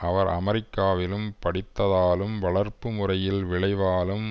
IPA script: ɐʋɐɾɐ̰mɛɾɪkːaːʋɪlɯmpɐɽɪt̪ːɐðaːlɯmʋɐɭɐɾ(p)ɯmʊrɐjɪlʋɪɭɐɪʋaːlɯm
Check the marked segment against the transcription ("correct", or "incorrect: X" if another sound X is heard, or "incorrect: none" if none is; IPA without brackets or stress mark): correct